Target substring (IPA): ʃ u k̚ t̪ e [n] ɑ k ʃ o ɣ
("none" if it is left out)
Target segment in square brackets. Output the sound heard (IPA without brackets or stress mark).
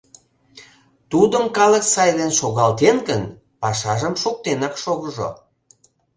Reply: n